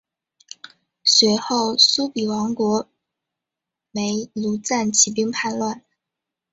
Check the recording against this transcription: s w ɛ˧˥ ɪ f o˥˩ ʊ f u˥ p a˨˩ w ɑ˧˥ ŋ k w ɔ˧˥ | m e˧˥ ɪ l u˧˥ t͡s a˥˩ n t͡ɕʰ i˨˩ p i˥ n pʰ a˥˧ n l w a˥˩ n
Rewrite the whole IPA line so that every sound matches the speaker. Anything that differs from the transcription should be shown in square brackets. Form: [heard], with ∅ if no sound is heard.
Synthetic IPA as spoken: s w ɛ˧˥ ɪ [x] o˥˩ ʊ [s] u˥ p [i˨˩] w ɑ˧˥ ŋ k w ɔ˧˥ | m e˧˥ ɪ l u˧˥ t͡s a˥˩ n t͡ɕʰ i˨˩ p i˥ [ŋ] pʰ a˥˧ n l w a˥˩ n